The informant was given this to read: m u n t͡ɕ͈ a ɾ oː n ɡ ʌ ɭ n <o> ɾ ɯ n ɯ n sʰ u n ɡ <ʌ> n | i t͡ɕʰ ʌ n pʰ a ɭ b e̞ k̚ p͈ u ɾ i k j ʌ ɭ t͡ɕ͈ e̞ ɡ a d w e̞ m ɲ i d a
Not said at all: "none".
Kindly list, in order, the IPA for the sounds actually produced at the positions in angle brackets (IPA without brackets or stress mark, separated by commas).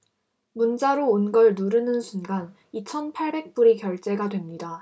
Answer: u, a